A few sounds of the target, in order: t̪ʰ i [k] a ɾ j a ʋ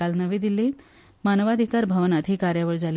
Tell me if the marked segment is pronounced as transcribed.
yes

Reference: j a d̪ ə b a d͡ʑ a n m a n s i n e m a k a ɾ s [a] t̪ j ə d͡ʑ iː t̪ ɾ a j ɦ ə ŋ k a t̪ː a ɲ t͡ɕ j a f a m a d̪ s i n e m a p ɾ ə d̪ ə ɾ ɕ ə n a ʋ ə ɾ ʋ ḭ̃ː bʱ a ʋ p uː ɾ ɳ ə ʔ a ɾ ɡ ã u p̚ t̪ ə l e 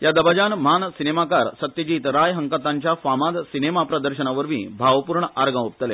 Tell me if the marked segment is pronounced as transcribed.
no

